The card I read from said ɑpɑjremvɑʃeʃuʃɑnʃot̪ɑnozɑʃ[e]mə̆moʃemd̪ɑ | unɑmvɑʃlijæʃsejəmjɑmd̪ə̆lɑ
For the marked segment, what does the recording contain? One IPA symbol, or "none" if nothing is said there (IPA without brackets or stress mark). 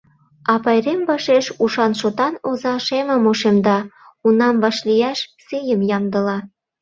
e